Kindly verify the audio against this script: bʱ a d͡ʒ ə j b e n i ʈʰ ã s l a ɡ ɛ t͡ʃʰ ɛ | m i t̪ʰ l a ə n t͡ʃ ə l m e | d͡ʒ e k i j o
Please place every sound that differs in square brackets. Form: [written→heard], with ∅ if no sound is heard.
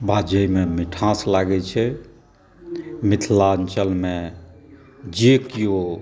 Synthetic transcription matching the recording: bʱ a d͡ʒ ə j [b→m] e [n→m] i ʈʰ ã s l a ɡ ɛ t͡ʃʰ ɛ | m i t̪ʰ l a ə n t͡ʃ ə l m e | d͡ʒ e k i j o